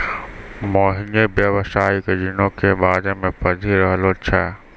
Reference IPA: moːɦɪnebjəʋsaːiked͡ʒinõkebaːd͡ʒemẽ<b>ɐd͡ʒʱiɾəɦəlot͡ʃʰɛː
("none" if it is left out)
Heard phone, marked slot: p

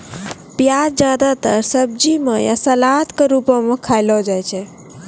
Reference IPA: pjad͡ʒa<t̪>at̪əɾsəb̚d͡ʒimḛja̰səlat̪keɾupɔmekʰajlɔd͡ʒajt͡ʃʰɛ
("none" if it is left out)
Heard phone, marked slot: d̪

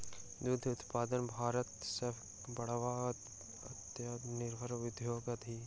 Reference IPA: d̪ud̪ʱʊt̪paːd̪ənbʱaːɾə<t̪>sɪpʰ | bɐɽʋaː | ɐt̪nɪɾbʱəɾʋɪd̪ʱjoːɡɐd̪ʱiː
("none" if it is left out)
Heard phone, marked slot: t̪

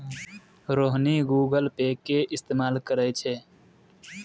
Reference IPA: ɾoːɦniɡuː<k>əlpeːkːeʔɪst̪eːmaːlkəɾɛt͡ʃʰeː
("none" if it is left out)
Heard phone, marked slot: ɡ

